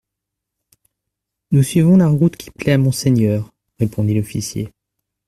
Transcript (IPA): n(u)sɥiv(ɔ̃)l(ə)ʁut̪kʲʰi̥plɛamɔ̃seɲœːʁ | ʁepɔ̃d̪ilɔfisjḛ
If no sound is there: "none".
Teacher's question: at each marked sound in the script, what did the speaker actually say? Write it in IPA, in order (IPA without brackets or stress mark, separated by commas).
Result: u, ɔ̃, a